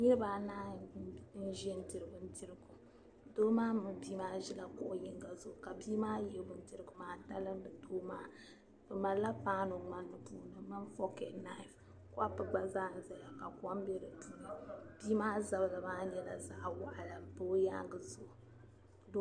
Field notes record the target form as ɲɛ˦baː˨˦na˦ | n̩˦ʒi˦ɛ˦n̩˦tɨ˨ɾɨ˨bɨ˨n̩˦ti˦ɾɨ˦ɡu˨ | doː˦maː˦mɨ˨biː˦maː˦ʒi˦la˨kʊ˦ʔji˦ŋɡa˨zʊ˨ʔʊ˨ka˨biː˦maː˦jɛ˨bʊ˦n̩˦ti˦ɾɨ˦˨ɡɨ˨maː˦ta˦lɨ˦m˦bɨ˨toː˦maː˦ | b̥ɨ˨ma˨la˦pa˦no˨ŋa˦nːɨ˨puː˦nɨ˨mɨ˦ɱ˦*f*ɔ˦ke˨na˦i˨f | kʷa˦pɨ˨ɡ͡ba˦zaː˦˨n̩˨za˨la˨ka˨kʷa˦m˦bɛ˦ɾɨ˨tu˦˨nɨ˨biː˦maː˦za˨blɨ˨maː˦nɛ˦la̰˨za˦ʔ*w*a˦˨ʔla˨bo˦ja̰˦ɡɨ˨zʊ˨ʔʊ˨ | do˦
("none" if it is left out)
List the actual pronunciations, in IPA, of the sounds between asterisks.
f, w

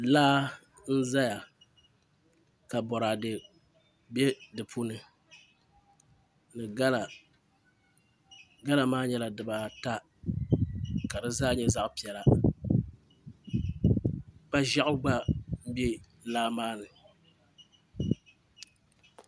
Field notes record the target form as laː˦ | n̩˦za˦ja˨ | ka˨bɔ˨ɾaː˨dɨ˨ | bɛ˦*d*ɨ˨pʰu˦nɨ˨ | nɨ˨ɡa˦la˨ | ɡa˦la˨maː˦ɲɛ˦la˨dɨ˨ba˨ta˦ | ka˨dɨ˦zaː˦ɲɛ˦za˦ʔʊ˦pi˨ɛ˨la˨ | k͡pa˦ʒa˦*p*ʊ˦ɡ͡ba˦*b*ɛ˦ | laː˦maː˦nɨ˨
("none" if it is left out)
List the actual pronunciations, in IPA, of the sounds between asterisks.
d, ʔ, b

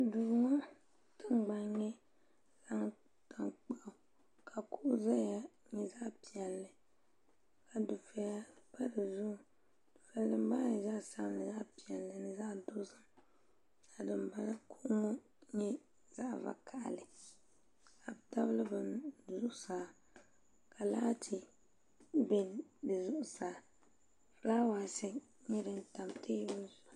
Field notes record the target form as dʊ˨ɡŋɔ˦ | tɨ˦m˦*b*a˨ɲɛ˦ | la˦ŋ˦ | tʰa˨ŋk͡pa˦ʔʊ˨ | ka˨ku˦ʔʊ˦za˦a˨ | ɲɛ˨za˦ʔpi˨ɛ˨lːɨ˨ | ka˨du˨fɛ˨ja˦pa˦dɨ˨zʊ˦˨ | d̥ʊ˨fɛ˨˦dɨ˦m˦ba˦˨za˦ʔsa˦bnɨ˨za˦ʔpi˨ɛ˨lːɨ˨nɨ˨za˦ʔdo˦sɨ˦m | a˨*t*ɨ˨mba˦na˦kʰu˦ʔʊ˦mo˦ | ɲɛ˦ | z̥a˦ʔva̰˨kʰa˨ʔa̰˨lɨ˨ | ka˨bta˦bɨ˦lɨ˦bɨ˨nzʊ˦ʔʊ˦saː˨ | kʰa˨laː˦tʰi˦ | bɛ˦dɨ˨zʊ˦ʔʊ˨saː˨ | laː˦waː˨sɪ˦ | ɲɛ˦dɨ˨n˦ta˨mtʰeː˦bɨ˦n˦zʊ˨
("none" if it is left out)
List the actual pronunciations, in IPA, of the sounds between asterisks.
ɡ͡b, d

